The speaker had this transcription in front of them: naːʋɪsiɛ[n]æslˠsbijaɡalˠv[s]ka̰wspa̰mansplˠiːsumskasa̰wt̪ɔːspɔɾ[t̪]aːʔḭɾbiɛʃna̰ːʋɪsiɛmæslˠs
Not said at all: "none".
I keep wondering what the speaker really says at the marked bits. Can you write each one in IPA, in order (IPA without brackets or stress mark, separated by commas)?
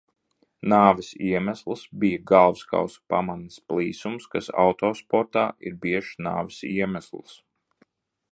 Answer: m, s, t̪